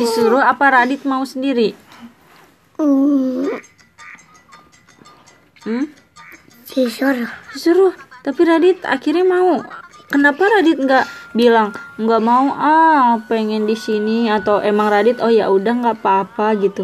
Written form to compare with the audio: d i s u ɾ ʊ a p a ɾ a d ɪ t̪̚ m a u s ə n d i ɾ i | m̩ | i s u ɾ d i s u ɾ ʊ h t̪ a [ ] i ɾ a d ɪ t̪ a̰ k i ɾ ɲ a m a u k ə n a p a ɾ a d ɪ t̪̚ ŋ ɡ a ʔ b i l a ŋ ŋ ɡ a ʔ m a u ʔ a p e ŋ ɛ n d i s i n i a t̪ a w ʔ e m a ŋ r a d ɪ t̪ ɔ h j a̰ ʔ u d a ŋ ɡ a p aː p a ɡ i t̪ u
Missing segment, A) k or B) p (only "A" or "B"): B